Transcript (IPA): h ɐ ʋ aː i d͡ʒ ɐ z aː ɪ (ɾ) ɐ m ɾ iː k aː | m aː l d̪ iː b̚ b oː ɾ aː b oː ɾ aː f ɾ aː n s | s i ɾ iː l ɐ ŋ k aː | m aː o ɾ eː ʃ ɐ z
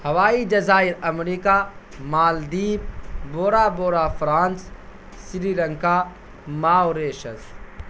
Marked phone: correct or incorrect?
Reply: correct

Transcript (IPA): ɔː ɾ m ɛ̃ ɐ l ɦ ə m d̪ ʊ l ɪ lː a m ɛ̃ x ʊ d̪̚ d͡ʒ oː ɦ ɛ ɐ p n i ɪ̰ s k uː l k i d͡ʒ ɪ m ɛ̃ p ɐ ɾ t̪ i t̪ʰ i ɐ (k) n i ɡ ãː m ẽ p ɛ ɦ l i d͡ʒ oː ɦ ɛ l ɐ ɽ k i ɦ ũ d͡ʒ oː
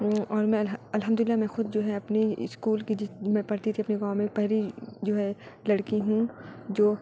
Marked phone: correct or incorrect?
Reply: incorrect: p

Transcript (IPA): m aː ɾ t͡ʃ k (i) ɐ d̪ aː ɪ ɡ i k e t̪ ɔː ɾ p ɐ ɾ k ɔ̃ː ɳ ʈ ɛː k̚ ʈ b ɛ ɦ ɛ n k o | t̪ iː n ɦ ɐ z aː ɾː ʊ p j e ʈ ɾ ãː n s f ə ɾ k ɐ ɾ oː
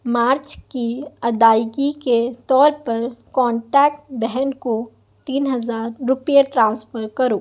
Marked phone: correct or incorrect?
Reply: correct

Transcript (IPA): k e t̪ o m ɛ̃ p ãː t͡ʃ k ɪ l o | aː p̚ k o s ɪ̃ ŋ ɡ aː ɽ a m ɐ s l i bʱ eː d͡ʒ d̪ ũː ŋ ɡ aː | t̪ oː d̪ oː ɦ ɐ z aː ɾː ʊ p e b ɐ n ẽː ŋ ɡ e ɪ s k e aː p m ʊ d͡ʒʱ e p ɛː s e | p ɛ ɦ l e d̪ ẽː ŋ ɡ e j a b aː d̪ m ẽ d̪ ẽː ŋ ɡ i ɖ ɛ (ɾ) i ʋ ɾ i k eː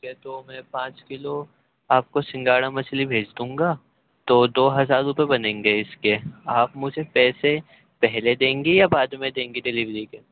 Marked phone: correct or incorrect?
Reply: incorrect: l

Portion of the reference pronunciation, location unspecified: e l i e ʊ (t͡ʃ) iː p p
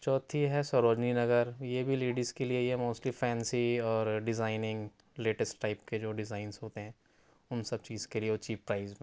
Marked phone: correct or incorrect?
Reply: correct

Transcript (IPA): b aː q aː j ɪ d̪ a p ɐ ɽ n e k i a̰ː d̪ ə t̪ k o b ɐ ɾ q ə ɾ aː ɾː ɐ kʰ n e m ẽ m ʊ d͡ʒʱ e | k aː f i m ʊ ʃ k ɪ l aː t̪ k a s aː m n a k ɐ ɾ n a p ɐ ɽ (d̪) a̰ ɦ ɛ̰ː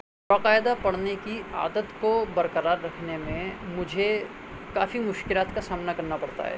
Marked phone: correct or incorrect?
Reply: incorrect: t̪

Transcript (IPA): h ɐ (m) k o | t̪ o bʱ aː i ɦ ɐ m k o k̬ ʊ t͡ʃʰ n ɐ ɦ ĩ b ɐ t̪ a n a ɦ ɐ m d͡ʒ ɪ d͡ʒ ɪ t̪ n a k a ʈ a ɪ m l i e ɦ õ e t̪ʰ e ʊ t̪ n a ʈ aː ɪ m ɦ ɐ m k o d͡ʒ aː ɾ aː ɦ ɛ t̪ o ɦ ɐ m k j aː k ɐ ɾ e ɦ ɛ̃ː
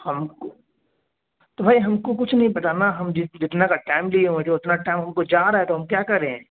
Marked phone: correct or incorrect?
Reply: correct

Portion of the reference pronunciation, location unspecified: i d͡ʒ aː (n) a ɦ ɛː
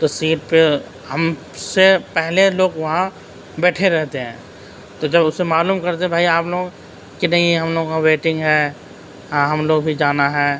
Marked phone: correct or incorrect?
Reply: correct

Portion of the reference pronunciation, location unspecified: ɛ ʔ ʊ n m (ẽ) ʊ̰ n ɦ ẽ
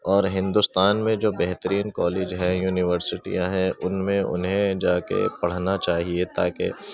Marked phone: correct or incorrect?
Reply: correct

